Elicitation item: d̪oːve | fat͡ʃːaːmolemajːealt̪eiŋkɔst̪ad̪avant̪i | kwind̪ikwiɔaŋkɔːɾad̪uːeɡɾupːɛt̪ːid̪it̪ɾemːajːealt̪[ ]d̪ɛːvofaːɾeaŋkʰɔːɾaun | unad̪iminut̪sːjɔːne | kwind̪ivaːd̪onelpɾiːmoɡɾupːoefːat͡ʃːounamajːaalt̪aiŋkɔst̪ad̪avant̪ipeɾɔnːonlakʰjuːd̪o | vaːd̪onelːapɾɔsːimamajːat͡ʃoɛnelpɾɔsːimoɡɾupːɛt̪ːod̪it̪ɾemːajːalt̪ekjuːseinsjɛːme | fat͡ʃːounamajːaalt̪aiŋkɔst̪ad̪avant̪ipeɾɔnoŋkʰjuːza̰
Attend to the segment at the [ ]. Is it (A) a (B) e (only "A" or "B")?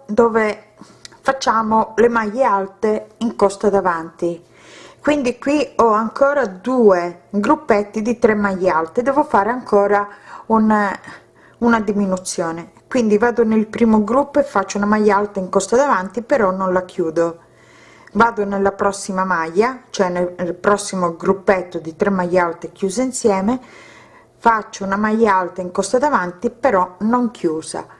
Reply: B